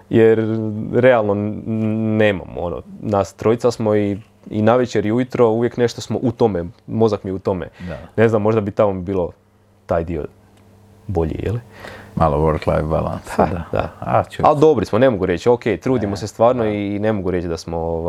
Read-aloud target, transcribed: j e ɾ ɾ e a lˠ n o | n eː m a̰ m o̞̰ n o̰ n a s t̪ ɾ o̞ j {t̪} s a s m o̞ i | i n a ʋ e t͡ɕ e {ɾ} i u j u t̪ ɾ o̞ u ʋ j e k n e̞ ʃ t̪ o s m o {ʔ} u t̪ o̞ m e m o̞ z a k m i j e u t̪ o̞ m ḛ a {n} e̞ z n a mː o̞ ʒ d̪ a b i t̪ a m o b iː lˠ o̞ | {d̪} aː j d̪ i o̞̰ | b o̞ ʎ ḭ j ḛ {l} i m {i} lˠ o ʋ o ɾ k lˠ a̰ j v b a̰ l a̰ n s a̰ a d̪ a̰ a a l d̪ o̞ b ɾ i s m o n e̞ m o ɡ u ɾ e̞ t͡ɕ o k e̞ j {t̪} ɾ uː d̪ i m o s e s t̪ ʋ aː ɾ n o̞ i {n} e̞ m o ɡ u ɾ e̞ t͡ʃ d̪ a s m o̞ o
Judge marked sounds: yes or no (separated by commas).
yes, yes, yes, yes, no, yes, no, yes, yes